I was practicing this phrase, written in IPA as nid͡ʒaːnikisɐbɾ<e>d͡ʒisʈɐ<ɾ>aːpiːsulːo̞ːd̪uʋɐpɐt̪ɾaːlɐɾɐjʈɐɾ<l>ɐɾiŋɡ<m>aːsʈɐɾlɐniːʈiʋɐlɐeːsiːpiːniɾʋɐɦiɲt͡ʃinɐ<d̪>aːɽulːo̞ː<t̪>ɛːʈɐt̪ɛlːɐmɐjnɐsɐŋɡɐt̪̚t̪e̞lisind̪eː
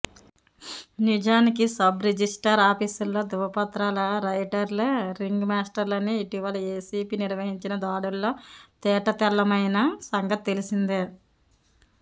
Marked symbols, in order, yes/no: yes, yes, yes, yes, yes, yes

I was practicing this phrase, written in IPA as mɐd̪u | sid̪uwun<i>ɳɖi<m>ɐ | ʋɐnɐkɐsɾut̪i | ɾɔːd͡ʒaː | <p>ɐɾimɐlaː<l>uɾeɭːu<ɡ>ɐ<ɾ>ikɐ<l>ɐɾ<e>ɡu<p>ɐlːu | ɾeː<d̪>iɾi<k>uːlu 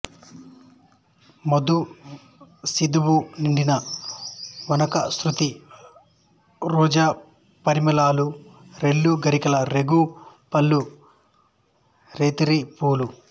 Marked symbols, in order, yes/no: yes, no, yes, yes, yes, yes, yes, yes, yes, no, no

